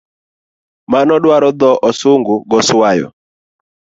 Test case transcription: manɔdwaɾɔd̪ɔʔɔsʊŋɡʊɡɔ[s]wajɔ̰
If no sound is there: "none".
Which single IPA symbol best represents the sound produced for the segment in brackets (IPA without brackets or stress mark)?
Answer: s